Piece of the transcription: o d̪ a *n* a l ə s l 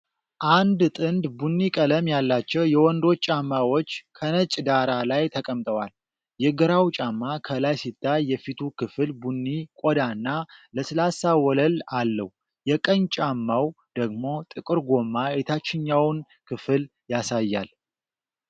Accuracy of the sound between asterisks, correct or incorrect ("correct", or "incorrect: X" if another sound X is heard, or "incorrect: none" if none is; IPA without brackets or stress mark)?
incorrect: nː